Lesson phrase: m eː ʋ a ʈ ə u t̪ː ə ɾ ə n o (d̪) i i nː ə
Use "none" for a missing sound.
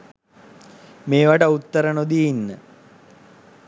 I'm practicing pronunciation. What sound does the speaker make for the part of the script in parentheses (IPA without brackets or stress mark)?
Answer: d̪